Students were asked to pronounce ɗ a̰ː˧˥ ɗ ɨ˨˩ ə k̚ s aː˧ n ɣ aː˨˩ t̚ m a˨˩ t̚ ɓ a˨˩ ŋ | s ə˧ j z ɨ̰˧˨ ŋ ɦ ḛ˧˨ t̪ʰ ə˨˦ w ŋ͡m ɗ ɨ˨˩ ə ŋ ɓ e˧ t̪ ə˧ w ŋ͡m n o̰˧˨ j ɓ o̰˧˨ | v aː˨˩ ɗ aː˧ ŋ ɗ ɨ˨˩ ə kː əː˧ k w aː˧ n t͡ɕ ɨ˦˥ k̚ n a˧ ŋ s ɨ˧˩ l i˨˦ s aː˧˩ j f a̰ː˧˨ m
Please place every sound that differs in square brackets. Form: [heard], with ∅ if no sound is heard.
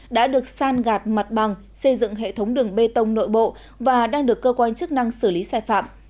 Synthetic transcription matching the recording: ɗ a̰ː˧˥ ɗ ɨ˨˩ ə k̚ s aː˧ n ɣ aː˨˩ t̚ m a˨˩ t̚ ɓ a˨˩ ŋ | s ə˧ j z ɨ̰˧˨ ŋ ɦ ḛ˧˨ t̪ʰ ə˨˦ w ŋ͡m ɗ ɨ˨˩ ə ŋ ɓ e˧ t̪ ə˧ w ŋ͡m n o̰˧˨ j ɓ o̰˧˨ | v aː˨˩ ɗ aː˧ ŋ ɗ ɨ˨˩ ə kː əː˧ k w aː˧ n t͡ɕ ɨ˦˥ k̚ n a˧ ŋ s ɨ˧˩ l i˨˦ s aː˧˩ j f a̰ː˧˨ m